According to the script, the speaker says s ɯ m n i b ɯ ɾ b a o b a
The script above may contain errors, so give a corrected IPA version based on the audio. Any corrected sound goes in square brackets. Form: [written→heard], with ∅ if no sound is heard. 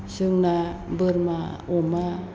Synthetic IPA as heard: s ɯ [m→ŋ] n [i→a] b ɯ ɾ [b→m] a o [b→m] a